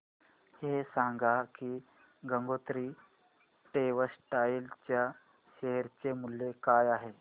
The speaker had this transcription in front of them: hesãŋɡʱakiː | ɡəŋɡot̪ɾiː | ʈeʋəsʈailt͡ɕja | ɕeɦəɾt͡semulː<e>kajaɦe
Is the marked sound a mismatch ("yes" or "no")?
no